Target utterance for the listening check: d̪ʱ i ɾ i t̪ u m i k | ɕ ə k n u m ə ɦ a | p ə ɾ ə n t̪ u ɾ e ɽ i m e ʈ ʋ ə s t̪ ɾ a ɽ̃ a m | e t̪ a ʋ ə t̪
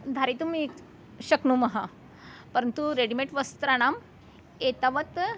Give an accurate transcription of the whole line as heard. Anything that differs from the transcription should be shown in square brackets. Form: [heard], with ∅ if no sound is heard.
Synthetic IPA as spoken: d̪ʱ [a] ɾ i t̪ u m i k | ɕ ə k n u m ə ɦ a | p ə ɾ ə n t̪ u ɾ e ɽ i m e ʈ ʋ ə s t̪ ɾ a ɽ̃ a m | e t̪ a ʋ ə t̪

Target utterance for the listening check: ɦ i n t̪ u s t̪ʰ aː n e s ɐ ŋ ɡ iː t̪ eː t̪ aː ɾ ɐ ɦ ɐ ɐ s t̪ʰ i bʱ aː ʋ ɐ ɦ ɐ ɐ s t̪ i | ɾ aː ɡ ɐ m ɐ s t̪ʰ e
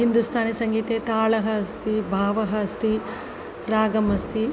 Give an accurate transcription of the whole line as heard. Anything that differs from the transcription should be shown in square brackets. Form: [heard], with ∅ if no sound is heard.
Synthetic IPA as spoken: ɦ i n [d̪] u s t̪ʰ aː n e s ɐ ŋ ɡ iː t̪ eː t̪ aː [ɭ] ɐ ɦ ɐ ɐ s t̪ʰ i bʱ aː ʋ ɐ ɦ ɐ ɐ s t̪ i | ɾ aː ɡ ɐ m ɐ s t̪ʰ [i]

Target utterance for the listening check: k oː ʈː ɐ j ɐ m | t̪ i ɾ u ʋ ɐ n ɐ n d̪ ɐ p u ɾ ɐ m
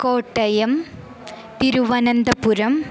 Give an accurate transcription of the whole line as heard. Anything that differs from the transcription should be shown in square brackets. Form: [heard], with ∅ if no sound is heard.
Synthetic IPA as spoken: k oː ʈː ɐ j ɐ m | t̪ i ɾ u ʋ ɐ n ɐ n d̪ ɐ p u ɾ ɐ m

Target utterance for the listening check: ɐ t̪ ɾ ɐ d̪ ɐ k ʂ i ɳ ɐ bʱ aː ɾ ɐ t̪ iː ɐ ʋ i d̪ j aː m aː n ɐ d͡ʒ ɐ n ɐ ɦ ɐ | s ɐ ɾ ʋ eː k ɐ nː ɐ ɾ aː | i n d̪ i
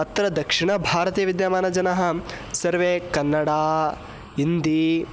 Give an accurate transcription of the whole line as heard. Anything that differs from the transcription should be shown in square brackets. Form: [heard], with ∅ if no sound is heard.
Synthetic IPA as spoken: ɐ t̪ ɾ ɐ d̪ ɐ k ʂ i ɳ ɐ bʱ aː ɾ ɐ t̪ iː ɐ ʋ i d̪ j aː m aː n ɐ d͡ʒ ɐ n ɐ ɦ ɐ | s ɐ ɾ ʋ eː k ɐ nː ɐ [ɽ] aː | i n d̪ i

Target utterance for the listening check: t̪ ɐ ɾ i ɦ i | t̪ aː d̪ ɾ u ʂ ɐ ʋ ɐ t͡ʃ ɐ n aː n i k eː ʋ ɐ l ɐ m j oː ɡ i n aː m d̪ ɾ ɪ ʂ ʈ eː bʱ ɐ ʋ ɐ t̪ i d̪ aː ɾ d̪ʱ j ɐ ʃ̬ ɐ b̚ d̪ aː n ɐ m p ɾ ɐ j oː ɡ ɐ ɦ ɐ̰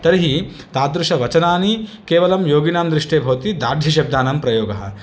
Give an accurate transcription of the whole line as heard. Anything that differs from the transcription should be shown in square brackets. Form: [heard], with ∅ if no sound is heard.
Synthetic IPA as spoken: t̪ ɐ ɾ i ɦ i | t̪ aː d̪ ɾ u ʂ ɐ ʋ ɐ t͡ʃ ɐ n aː n i k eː ʋ ɐ l ɐ m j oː ɡ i n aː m d̪ ɾ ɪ ʂ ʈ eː bʱ ɐ ʋ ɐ t̪ i d̪ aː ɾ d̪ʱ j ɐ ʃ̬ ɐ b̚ d̪ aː n ɐ m p ɾ ɐ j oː ɡ ɐ ɦ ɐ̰

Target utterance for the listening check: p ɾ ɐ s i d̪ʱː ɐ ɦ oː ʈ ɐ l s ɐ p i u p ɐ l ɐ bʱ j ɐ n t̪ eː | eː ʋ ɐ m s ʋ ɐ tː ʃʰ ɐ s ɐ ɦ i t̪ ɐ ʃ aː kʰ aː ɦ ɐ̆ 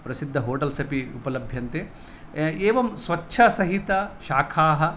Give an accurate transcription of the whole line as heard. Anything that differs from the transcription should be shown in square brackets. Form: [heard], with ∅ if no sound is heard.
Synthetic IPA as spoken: p ɾ ɐ s i d̪ʱː ɐ ɦ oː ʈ ɐ l s ɐ p i u p ɐ l ɐ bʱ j ɐ n t̪ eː | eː ʋ ɐ m s ʋ ɐ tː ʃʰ ɐ s ɐ ɦ i t̪ ɐ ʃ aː kʰ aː ɦ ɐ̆

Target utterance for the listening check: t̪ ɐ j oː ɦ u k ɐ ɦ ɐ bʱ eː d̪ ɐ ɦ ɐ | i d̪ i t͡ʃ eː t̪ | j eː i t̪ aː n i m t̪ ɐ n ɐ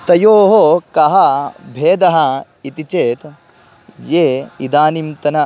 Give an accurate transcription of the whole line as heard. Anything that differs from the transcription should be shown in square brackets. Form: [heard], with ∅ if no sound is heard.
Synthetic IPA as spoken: t̪ ɐ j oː ɦ [o] k ɐ ɦ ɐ bʱ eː d̪ ɐ ɦ ɐ | i [t̪] i t͡ʃ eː t̪ | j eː i [d̪] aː n i m t̪ ɐ n ɐ

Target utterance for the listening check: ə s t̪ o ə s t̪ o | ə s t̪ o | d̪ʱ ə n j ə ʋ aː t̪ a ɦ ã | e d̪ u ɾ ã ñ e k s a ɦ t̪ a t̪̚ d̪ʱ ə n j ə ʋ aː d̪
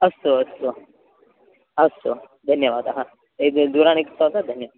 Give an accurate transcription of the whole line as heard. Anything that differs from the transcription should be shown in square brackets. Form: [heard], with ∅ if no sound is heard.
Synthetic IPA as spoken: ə s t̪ o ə s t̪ o | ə s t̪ o | d̪ʱ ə n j ə ʋ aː [d̪] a ɦ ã | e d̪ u ɾ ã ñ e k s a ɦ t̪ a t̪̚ d̪ʱ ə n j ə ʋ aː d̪

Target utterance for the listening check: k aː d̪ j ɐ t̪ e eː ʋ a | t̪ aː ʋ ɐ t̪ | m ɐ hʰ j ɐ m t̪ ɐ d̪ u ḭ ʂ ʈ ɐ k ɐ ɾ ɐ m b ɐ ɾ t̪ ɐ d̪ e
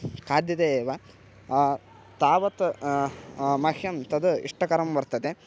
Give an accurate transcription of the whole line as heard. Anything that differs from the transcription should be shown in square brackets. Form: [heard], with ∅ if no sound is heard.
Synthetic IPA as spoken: k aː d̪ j ɐ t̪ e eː ʋ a | t̪ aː ʋ ɐ t̪ | m ɐ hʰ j ɐ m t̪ ɐ d̪ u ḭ ʂ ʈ ɐ k ɐ ɾ ɐ m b ɐ ɾ t̪ ɐ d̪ e

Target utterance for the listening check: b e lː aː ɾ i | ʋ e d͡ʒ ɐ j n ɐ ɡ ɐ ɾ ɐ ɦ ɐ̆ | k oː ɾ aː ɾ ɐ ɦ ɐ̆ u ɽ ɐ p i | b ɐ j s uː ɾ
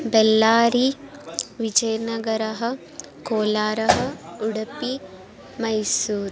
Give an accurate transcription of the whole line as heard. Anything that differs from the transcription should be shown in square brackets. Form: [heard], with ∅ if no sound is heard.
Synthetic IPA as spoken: b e lː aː ɾ i | ʋ [i] d͡ʒ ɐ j n ɐ ɡ ɐ ɾ ɐ ɦ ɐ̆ | k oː [l] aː ɾ ɐ ɦ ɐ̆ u ɽ ɐ p i | [m] ɐ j s uː ɾ

